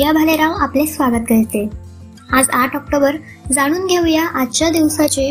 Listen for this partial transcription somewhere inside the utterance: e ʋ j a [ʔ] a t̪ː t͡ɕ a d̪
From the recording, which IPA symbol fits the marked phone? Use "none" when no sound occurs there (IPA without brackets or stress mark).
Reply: ʔ